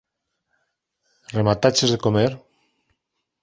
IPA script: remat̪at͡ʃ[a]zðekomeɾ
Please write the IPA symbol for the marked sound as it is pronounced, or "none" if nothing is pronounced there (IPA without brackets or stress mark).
e